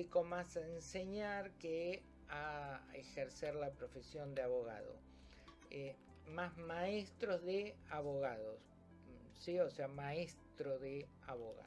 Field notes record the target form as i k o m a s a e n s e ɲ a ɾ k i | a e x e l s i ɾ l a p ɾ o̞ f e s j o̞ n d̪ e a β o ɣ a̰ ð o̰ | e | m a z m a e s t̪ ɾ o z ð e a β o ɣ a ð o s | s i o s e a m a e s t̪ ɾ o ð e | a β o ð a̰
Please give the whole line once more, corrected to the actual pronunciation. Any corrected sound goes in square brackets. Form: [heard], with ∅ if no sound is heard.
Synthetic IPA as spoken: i k o m a s a e n s e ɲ a ɾ k [e] | a e x e [ɾ] s [e] ɾ l a p ɾ o̞ f e s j o̞ n d̪ e a β o ɣ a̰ ð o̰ | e | m a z m a e s t̪ ɾ o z ð e a β o ɣ a ð o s | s i o s e a m a e s t̪ ɾ o ð e | a β o [ɣ] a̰